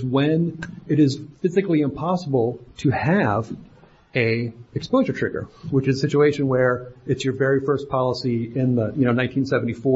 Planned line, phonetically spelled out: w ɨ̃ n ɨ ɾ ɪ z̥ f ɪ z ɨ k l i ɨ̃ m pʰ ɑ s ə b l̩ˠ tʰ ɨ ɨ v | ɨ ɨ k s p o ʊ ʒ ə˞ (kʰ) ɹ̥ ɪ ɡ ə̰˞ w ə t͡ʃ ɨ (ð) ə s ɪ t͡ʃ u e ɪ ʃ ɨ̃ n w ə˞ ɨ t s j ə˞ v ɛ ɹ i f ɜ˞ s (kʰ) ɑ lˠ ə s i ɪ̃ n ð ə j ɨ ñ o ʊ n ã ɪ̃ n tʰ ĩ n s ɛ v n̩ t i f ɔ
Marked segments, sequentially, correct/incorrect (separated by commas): incorrect, incorrect, incorrect